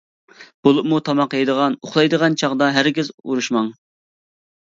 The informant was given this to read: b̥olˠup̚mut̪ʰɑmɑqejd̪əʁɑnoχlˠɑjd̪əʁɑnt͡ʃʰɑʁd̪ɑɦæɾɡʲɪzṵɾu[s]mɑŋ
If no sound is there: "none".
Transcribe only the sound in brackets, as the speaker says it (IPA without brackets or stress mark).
ʃ